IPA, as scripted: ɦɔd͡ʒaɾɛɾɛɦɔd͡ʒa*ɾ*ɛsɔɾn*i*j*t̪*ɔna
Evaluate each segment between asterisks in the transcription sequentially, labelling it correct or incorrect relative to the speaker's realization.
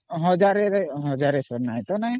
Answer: correct, incorrect, correct

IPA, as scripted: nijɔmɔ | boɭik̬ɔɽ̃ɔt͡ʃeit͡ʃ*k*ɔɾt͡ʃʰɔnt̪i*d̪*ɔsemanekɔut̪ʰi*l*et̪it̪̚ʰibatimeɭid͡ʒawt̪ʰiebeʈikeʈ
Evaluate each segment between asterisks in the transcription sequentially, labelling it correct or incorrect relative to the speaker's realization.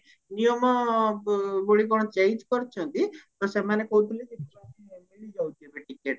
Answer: correct, incorrect, correct

